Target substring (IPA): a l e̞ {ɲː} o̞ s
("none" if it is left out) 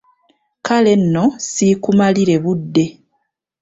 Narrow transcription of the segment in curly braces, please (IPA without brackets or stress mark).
nː